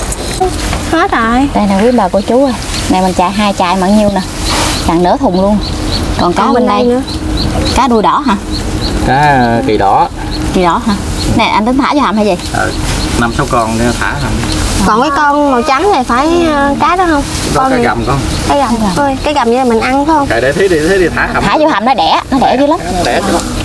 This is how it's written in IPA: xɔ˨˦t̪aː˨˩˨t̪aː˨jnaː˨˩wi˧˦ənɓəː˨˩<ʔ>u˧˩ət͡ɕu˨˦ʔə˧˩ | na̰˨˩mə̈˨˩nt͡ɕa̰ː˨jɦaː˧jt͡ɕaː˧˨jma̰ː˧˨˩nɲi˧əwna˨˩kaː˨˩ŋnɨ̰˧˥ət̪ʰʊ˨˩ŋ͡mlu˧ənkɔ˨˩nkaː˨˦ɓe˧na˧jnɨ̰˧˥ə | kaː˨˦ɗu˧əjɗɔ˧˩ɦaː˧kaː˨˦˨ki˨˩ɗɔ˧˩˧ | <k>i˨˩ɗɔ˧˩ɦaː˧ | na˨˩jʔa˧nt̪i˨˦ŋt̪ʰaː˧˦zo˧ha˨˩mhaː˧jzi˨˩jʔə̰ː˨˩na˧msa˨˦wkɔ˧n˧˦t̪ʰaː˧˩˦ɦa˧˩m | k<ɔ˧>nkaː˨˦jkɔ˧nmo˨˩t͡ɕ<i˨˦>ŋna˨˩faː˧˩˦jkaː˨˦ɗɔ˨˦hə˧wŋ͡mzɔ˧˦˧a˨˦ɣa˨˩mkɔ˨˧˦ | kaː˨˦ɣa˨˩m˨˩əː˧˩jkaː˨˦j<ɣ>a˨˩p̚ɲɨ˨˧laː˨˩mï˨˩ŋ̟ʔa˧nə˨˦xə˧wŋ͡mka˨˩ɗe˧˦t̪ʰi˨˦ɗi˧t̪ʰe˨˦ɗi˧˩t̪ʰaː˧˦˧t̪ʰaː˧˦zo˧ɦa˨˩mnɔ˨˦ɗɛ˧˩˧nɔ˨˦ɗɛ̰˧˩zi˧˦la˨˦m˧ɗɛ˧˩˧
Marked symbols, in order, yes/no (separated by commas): no, yes, no, no, yes